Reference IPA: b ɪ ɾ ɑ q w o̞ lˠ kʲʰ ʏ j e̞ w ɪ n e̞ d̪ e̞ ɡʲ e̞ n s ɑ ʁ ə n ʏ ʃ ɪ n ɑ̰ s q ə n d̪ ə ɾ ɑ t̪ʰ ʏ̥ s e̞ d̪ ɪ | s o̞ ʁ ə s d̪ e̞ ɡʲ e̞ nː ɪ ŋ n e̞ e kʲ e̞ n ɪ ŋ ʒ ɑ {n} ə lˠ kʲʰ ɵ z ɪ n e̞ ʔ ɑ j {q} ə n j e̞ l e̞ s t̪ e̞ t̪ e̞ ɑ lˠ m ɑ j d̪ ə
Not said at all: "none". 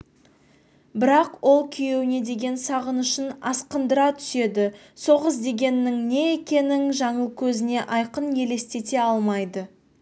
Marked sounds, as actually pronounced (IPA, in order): ɴ, q

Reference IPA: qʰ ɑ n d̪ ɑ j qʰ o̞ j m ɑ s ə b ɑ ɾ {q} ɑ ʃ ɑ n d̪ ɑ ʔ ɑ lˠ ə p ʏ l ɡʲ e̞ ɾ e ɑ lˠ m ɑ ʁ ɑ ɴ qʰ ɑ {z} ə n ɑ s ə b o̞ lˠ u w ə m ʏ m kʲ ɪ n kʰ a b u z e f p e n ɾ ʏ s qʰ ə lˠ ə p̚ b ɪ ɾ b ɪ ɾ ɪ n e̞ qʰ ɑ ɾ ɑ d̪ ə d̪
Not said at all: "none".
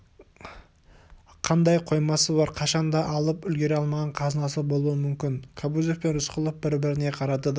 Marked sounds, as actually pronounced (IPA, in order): qʰ, z

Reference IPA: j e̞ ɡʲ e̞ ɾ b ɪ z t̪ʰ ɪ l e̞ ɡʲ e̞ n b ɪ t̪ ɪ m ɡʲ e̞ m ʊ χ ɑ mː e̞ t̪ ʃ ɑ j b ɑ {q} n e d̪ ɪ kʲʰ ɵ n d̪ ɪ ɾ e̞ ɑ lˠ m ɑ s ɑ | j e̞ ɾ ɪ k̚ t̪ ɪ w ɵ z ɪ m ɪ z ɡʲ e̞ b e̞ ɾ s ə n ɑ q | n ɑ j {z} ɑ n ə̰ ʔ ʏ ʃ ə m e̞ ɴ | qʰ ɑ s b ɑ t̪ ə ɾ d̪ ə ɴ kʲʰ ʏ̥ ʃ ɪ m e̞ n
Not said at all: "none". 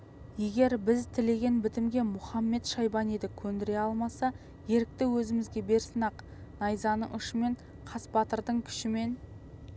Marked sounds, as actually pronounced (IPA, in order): none, z

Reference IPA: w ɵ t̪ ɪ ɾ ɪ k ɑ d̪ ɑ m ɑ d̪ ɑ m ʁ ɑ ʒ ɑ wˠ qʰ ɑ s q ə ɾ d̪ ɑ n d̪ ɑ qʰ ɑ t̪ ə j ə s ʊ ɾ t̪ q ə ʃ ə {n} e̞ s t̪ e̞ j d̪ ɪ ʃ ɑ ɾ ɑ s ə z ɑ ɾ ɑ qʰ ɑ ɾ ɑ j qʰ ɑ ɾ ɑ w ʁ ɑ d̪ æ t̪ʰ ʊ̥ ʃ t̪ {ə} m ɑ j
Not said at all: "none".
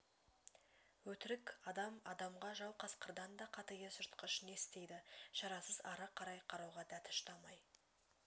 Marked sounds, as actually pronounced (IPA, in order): n, ɑ

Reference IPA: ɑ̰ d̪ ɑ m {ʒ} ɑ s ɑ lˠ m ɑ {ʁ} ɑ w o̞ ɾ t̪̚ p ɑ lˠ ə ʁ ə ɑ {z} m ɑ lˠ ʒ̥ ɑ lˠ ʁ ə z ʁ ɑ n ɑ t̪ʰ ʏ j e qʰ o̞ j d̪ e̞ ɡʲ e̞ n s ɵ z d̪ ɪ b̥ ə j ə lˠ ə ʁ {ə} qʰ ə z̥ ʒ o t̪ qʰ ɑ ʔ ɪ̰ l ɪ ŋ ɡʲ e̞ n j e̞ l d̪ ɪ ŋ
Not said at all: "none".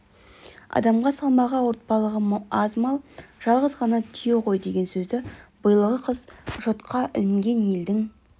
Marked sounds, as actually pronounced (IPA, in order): ʁ, ʁ, z, ə

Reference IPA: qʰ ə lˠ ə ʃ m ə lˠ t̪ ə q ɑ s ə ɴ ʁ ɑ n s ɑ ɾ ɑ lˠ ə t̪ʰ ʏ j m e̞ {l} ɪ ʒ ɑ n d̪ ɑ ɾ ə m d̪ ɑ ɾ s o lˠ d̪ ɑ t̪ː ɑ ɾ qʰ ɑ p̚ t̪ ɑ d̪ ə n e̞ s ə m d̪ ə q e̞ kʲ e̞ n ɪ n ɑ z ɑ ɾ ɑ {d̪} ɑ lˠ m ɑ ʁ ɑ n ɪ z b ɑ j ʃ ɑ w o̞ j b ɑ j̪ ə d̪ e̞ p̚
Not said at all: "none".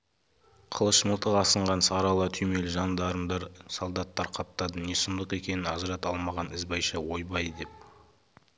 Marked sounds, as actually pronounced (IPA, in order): l, t̪

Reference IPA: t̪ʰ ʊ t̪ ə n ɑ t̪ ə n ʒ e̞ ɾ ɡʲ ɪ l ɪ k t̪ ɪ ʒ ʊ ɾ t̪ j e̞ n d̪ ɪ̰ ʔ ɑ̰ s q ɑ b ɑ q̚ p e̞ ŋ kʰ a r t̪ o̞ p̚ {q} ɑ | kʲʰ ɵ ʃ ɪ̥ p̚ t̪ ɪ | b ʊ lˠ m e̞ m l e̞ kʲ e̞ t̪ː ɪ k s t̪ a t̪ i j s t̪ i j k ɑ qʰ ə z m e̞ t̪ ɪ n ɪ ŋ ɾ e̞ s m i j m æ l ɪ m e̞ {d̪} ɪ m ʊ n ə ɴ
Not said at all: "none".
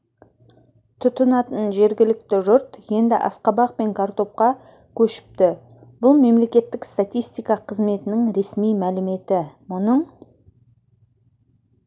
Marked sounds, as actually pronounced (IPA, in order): q, t̪

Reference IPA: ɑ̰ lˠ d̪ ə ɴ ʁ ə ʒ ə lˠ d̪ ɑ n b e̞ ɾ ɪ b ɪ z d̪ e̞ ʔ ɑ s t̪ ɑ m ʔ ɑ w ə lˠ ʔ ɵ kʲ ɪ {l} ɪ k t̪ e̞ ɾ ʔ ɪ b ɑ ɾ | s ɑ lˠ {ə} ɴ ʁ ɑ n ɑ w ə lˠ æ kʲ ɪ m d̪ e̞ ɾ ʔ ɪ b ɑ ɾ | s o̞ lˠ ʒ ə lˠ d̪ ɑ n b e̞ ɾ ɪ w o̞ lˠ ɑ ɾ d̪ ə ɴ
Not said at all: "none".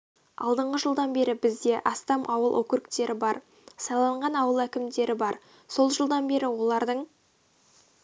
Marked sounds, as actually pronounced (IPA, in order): ɾ, ɑ

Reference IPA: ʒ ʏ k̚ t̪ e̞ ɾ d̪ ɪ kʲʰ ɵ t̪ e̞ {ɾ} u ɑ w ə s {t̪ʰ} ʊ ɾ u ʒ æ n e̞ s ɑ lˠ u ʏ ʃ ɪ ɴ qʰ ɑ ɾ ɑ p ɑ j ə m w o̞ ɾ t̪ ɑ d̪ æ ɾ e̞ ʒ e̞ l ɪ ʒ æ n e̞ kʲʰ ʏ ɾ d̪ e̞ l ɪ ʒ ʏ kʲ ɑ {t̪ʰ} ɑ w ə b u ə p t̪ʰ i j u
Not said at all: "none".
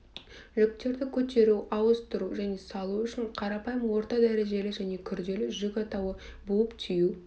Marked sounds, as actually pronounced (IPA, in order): ɾ, t̪, t̪

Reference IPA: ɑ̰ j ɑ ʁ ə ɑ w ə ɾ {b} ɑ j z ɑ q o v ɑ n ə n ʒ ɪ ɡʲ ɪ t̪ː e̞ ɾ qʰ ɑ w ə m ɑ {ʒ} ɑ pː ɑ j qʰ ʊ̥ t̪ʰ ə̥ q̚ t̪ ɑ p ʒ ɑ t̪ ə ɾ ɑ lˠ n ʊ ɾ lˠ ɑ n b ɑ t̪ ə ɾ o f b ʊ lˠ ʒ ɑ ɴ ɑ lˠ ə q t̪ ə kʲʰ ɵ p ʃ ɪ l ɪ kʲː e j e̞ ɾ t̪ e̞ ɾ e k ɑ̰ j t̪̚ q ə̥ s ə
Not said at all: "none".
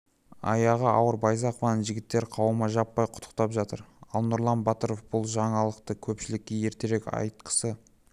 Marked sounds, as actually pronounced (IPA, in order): b, ʒ

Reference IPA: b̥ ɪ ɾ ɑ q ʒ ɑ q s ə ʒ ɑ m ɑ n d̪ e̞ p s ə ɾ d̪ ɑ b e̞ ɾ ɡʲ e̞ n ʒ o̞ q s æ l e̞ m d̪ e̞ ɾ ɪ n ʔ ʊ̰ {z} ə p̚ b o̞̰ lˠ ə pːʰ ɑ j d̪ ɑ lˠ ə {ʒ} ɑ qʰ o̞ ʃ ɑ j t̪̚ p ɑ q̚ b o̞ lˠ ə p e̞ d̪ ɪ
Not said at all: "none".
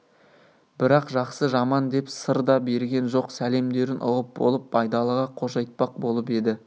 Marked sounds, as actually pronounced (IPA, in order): ʁ, ʁ

